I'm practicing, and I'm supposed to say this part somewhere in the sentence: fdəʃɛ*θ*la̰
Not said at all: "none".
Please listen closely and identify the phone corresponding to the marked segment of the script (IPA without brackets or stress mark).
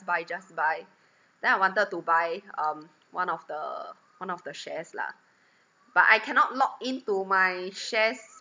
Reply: s